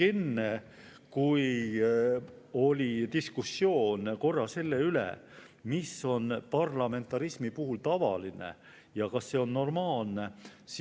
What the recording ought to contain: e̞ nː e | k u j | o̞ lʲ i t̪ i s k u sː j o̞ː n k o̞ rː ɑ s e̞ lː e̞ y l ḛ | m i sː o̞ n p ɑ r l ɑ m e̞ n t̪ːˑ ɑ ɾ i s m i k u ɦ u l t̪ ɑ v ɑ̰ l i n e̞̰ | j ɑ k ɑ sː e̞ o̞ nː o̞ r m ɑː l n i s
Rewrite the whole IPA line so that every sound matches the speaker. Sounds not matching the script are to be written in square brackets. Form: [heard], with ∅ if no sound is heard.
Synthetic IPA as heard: e̞ nː e | k u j | o̞ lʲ i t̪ i s k u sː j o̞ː n k o̞ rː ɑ s e̞ lː e̞ y l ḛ | m i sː o̞ n p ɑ r l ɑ m e̞ n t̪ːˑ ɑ ɾ i s m i [p] u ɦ u l t̪ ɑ v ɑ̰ l i n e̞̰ | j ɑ k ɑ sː e̞ o̞ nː o̞ r m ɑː l n [e] s